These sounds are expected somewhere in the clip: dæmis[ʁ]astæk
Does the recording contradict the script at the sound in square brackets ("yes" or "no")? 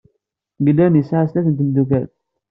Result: yes